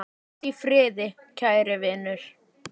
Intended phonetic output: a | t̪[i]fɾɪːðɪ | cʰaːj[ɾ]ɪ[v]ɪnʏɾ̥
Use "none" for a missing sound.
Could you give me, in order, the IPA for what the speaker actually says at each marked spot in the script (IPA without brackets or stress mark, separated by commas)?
i, ɾ, v